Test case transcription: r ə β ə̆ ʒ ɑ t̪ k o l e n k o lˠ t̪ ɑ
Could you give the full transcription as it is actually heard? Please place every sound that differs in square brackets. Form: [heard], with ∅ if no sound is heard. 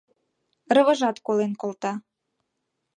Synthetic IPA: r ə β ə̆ ʒ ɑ t̪ k o l e n k o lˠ t̪ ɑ